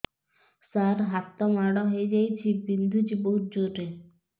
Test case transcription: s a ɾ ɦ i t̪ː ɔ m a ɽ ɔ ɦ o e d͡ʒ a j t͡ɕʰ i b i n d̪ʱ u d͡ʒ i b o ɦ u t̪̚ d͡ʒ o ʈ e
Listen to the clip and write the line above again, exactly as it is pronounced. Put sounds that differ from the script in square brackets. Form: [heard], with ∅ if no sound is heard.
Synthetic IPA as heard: s a ɾ ɦ [a] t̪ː ɔ m a ɽ ɔ ɦ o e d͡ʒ a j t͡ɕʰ i b i n d̪ʱ u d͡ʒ i b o ɦ u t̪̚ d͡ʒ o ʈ e